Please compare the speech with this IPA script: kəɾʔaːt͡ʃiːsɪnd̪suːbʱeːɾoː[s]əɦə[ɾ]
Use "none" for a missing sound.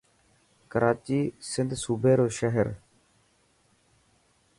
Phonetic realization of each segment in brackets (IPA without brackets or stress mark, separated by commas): ʃ, ɾ